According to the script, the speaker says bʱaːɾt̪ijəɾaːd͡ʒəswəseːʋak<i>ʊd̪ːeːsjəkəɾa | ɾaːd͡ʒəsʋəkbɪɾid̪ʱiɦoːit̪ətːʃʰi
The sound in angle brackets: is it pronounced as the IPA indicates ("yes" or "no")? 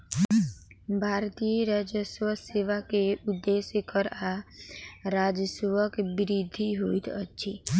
no